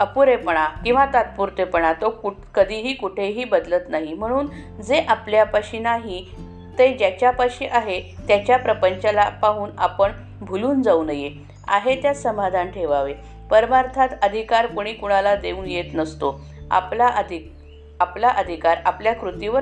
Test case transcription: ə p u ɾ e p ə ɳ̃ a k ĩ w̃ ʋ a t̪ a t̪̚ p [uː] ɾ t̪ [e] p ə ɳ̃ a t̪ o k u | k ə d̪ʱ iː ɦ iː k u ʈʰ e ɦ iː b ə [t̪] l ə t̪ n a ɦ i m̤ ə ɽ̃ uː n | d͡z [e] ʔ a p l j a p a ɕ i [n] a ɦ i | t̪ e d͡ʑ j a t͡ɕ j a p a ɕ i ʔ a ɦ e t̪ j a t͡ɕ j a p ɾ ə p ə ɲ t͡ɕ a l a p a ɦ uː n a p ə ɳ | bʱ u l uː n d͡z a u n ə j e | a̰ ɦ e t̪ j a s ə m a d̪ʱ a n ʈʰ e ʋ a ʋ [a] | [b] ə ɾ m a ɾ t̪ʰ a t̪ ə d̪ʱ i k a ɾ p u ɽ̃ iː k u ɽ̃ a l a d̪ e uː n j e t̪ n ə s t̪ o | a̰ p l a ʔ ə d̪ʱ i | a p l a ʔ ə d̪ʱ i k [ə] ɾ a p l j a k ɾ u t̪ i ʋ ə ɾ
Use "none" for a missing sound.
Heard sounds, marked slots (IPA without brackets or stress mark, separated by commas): u, e, d̪, e, n, e, p, a